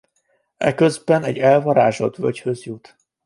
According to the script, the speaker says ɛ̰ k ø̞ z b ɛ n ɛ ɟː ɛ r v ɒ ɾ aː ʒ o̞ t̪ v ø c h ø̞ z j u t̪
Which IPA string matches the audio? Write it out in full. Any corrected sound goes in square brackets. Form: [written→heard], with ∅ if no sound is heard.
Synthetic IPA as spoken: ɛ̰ k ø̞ z b ɛ n ɛ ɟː ɛ [r→l] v ɒ ɾ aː ʒ o̞ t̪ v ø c h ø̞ z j u t̪